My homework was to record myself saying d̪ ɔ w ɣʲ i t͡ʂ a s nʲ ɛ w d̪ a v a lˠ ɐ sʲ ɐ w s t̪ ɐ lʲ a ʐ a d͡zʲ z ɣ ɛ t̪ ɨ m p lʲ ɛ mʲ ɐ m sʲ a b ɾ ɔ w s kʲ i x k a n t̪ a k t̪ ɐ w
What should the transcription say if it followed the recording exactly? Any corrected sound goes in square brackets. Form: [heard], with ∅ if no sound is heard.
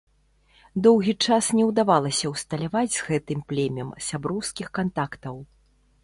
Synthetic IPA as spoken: d̪ ɔ w ɣʲ i t͡ʂ a s nʲ ɛ w d̪ a v a lˠ ɐ sʲ ɐ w s t̪ ɐ lʲ a [v] a d͡zʲ z ɣ ɛ t̪ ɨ m p lʲ ɛ mʲ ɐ m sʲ a b ɾ ɔ w s kʲ i x k a n t̪ a k t̪ ɐ w